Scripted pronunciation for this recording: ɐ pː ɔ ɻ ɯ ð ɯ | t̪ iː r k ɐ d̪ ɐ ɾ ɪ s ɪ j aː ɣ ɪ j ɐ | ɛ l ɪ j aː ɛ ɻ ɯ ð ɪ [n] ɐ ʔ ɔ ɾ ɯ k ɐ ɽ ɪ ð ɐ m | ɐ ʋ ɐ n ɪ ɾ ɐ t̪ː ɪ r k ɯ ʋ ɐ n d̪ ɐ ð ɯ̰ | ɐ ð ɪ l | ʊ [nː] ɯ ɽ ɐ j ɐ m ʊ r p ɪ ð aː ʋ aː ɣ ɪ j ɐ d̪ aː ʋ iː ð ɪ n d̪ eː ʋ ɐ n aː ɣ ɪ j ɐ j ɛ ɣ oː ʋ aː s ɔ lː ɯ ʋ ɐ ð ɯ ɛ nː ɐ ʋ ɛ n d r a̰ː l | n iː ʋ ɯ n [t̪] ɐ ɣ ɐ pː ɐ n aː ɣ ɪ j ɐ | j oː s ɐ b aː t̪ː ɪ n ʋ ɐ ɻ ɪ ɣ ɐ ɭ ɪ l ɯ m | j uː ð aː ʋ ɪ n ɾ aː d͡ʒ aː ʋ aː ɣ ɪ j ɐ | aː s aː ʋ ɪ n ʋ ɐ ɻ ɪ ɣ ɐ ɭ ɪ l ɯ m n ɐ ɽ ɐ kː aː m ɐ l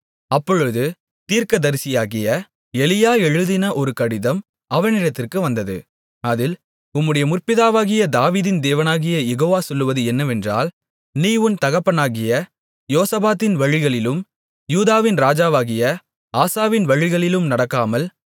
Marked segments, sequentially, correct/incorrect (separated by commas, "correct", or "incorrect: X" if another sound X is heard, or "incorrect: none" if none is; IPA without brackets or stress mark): correct, incorrect: mː, correct